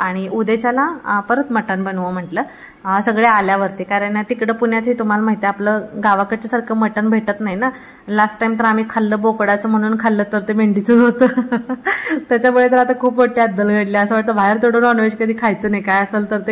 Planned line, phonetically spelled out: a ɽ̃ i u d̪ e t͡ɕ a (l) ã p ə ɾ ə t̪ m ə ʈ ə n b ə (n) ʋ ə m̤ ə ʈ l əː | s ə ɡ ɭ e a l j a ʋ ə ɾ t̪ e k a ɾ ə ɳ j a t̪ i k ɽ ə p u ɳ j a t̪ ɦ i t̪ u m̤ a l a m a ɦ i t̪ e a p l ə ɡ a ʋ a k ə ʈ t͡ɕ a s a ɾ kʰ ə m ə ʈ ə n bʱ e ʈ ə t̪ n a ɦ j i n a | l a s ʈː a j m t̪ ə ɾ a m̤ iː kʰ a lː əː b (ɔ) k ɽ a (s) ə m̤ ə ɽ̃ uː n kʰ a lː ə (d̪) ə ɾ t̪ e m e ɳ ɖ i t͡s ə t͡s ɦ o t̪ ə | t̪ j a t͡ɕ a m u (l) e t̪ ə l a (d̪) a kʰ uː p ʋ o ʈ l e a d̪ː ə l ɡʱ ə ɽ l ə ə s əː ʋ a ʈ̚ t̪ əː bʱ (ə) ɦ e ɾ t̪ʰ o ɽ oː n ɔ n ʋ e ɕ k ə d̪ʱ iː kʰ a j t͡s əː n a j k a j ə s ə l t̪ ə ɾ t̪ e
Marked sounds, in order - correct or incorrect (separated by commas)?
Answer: correct, correct, incorrect, incorrect, incorrect, incorrect, incorrect, incorrect